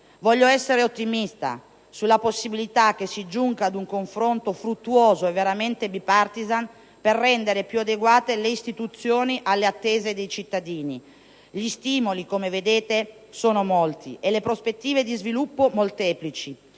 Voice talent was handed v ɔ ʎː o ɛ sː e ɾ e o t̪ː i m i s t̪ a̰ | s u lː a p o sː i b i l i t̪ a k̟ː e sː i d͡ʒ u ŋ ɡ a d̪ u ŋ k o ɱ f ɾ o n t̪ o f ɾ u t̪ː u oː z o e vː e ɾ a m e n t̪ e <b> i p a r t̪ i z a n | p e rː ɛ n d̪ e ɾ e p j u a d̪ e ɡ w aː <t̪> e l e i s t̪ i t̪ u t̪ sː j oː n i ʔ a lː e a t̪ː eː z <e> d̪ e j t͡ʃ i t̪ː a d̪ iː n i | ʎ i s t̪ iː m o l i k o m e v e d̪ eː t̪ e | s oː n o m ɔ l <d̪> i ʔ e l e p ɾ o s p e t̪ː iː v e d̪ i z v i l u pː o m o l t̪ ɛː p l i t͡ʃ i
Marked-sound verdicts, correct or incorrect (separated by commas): correct, correct, correct, incorrect